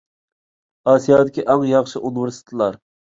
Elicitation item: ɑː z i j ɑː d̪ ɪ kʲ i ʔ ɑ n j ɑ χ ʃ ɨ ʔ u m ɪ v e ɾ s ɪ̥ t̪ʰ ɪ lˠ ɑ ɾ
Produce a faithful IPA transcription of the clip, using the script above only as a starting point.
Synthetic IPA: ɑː s i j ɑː d̪ ɪ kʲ i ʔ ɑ ŋ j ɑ χ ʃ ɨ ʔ u n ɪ v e ɾ s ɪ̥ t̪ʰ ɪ lˠ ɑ ɾ